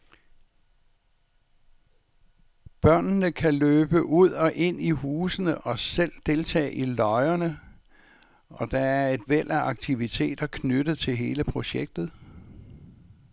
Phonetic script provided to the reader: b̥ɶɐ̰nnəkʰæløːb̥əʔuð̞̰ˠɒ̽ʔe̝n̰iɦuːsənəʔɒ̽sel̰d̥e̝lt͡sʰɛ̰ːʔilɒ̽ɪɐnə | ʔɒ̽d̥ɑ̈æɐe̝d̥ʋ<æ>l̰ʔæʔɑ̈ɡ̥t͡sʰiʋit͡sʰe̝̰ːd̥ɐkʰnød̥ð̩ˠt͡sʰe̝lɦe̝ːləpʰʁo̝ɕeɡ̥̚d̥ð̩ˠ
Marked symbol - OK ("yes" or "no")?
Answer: no